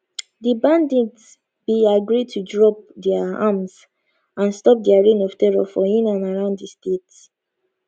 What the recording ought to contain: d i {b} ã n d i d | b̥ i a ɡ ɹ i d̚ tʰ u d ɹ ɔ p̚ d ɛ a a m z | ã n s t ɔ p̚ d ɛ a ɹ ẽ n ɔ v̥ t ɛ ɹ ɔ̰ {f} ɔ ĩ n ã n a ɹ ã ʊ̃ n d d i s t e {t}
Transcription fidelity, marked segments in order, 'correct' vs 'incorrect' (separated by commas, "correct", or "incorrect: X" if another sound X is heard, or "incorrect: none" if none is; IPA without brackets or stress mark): correct, correct, correct